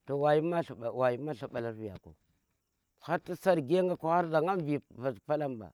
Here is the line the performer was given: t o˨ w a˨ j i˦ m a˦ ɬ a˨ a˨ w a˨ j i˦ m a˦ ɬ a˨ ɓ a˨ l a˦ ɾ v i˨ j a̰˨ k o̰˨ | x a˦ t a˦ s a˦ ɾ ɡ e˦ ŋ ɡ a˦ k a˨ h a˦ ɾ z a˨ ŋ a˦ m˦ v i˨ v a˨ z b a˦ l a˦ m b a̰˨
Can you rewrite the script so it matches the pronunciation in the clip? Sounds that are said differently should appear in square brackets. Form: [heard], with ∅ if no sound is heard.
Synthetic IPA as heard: t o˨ w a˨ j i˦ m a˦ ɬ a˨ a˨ w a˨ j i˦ m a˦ ɬ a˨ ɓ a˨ l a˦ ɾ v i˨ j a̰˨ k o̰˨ | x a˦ t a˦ s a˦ ɾ ɡ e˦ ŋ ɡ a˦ k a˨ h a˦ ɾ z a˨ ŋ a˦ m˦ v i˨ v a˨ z [p] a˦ l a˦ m b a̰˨